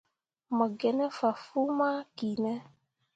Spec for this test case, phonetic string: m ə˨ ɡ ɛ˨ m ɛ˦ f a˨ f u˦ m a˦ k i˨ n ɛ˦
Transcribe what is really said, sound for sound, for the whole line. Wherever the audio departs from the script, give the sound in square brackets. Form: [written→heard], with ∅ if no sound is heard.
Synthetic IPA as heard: m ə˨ ɡ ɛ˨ [m→n] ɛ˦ f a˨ f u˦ m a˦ k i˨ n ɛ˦